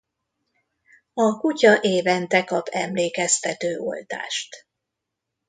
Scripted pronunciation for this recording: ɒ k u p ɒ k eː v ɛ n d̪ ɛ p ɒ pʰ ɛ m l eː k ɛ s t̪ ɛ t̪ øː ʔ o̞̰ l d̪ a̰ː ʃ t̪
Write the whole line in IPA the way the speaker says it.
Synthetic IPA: ɒ k u c ɒ ʔ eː v ɛ n t̪ ɛ k ɒ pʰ ɛ m l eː k ɛ s t̪ ɛ t̪ øː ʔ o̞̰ l t̪ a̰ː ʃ t̪